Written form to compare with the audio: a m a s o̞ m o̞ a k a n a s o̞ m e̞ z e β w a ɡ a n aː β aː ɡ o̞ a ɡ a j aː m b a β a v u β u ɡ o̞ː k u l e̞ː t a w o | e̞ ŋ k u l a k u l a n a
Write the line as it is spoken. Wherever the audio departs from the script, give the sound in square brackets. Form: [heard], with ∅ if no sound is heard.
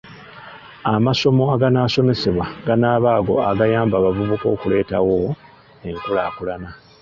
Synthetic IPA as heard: a m a s o̞ m o̞ a [ɡ] a n a s o̞ m e̞ [s] e β w a ɡ a n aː β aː ɡ o̞ a ɡ a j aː m b a β a v u β u [k] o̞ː k u l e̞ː t a w o | e̞ ŋ k u l a k u l a n a